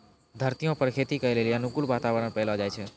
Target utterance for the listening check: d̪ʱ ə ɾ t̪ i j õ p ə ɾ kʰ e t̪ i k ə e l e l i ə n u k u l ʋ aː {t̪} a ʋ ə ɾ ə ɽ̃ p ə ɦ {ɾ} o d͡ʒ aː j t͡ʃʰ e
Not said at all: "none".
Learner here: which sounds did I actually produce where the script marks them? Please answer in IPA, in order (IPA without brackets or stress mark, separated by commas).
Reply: t̪, l